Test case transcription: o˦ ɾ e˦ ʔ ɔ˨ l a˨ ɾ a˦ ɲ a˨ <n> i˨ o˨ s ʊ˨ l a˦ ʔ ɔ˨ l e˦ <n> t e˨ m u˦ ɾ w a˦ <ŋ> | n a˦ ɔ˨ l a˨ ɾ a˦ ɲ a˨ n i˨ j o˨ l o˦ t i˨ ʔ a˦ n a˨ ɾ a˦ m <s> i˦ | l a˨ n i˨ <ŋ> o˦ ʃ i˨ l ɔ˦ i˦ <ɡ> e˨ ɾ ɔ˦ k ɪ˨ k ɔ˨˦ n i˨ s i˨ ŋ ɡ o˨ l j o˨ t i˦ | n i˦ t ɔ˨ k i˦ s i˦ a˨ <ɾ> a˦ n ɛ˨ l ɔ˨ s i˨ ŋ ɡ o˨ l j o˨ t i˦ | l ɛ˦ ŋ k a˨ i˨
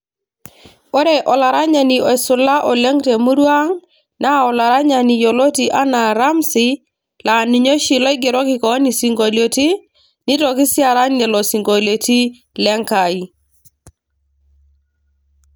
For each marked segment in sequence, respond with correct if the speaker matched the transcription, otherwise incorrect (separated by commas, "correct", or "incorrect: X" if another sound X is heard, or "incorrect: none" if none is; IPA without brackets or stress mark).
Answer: correct, incorrect: ŋ, correct, correct, incorrect: ɲ, correct, correct